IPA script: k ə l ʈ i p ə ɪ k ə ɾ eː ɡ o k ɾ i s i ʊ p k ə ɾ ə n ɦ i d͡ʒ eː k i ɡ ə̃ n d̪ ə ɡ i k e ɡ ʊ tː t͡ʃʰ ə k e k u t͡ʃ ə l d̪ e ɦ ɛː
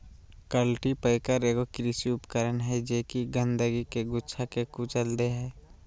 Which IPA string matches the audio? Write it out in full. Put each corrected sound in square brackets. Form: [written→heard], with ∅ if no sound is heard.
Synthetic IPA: k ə l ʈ i p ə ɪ k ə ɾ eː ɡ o k ɾ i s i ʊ p k ə ɾ ə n ɦ [i→ɛ] d͡ʒ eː k i ɡ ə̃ n d̪ ə ɡ i k e ɡ ʊ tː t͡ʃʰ [ə→a] k e k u t͡ʃ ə l d̪ e ɦ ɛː